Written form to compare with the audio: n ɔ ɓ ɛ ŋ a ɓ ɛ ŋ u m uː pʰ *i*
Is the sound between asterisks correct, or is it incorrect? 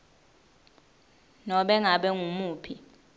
correct